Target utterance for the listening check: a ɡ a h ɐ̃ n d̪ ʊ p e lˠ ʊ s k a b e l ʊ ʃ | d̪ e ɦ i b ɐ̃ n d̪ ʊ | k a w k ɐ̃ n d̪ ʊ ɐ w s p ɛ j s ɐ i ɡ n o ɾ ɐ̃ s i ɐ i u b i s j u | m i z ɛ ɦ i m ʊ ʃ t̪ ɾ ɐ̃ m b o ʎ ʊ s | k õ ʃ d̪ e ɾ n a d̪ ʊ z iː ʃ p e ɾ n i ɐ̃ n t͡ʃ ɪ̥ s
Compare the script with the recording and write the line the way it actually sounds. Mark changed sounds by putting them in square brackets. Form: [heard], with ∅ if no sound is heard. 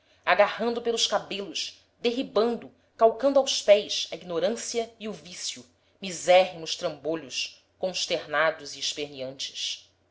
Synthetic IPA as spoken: a ɡ a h ɐ̃ n d̪ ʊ p e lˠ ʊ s k a b e l ʊ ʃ | d̪ e ɦ i b ɐ̃ n d̪ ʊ | k a w k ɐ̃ n d̪ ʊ [a] w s p ɛ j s ɐ i ɡ n o ɾ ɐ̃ s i ɐ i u [v] i s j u | m i z ɛ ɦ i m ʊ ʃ t̪ ɾ ɐ̃ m b o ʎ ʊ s | k õ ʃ [t̪] e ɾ n a d̪ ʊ z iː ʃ p e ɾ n i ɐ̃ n t͡ʃ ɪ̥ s